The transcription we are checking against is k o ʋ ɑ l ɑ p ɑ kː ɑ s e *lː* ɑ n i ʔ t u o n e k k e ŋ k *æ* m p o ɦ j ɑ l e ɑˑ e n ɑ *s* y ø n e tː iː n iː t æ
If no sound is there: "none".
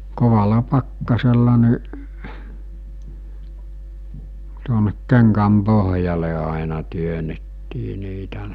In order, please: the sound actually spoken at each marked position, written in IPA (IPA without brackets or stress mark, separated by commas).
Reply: lː, æ, t